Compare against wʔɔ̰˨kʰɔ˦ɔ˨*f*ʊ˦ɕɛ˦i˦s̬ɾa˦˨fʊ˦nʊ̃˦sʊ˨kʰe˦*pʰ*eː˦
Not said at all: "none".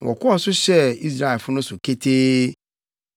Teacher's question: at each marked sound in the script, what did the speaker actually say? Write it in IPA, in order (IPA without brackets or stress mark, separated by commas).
s, tʰ